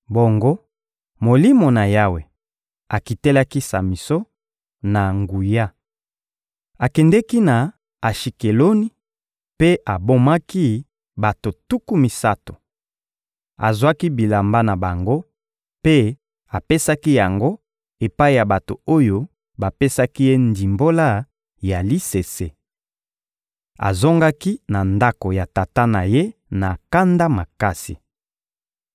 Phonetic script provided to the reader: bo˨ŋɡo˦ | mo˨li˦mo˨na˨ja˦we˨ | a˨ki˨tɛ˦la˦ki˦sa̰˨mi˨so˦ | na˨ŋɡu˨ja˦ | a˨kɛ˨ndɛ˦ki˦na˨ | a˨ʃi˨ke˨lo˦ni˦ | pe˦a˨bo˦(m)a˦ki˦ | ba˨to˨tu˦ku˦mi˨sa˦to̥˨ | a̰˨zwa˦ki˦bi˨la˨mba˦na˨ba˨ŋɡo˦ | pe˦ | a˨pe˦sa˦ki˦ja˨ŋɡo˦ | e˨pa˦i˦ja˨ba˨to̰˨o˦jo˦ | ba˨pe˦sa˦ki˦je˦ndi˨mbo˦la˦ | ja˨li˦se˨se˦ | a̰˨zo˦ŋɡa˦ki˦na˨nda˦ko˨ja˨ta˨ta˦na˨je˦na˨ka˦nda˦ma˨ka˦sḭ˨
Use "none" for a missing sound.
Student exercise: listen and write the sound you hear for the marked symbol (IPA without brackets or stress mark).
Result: m